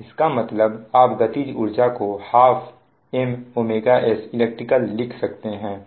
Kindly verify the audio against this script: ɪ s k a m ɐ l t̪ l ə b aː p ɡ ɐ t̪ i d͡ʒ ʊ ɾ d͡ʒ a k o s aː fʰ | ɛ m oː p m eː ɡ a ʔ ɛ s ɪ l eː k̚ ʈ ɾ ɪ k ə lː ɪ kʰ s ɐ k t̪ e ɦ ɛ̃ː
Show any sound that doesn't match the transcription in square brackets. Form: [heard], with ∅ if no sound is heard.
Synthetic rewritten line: ɪ s k a m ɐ [∅] t̪ l ə b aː p ɡ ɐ t̪ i d͡ʒ ʊ ɾ d͡ʒ a k o [h] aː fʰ | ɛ m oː [∅] m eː ɡ a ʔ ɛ s ɪ l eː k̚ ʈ ɾ ɪ k ə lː ɪ kʰ s ɐ k t̪ e ɦ ɛ̃ː